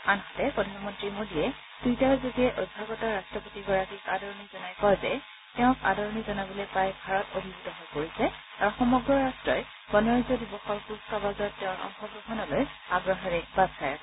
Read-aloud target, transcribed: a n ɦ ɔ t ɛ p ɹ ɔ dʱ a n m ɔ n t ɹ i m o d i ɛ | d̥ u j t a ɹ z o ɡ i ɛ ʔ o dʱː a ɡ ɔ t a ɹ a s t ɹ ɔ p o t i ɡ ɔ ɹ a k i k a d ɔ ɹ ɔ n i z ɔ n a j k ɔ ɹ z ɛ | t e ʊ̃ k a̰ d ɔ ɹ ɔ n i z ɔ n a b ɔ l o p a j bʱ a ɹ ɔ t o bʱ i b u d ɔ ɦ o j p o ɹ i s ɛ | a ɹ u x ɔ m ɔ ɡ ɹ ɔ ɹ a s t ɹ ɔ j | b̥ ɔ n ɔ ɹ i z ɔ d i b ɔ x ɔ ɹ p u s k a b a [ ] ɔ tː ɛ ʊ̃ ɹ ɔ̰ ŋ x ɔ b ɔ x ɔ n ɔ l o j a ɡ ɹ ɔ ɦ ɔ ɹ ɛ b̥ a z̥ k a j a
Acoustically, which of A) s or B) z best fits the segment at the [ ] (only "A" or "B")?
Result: B